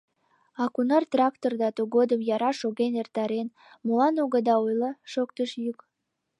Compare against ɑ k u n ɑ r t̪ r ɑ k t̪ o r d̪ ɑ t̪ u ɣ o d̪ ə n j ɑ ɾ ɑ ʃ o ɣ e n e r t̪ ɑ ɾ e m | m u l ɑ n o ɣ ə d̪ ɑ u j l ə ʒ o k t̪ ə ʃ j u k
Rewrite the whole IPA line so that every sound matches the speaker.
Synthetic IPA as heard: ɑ k u n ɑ r t̪ r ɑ k t̪ o r d̪ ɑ t̪ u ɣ o d̪ ə m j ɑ ɾ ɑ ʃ o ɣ e n e r t̪ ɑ ɾ e n | m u l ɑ n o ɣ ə d̪ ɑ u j l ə ʃ o k t̪ ə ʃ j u k